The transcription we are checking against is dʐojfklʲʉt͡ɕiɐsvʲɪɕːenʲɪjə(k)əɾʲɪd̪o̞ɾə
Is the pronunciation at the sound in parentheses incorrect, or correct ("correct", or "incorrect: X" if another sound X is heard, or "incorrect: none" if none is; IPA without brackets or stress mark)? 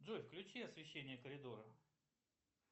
correct